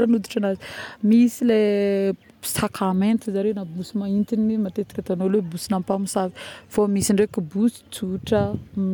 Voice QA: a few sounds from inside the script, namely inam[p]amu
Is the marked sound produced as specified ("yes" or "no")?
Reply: yes